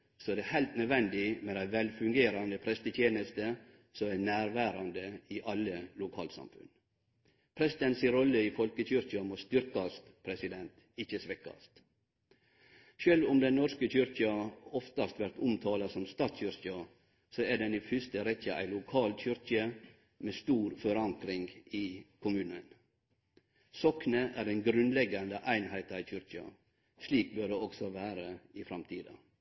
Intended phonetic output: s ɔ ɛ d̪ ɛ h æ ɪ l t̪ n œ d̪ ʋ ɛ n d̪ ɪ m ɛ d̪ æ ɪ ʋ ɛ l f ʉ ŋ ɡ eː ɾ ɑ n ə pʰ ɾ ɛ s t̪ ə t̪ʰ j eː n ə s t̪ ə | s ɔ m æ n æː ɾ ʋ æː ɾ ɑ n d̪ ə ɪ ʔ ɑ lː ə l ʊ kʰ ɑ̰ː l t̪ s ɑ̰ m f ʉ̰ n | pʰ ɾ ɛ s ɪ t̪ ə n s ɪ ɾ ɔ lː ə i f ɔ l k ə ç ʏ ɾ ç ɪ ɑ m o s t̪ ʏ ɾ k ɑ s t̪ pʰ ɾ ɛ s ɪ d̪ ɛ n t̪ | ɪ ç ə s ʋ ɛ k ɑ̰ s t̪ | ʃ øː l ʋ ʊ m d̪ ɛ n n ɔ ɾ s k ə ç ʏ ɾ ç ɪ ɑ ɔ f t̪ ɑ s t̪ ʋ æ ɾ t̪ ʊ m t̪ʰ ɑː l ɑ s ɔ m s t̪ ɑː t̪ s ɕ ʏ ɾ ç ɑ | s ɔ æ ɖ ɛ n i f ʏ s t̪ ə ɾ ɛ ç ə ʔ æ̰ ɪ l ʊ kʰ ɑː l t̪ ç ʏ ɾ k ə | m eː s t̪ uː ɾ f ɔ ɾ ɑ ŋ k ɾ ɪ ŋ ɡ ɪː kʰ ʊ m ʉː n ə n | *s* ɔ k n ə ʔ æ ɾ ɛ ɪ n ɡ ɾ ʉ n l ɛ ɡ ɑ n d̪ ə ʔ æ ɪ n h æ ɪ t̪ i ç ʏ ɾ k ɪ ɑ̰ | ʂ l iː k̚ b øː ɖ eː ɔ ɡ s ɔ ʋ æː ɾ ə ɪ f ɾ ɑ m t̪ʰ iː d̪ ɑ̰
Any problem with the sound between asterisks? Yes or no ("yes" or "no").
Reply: no